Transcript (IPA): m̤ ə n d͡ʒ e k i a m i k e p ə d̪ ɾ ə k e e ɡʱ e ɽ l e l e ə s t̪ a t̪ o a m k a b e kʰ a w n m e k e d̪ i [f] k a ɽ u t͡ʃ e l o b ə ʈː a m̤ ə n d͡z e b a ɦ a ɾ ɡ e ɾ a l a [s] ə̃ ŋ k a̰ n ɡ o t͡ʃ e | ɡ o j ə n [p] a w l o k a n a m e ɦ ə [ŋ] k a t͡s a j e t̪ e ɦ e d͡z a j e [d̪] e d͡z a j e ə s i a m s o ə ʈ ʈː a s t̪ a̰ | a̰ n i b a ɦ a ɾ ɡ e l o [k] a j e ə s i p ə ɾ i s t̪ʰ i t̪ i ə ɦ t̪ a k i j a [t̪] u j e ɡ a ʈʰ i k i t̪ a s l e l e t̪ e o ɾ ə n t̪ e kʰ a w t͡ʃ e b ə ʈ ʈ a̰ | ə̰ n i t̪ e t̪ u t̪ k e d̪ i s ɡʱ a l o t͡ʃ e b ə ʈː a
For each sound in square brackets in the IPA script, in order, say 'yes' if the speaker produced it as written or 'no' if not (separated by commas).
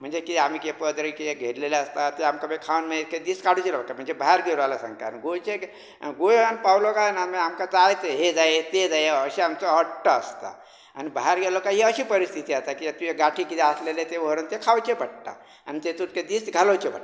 no, yes, yes, no, no, yes, yes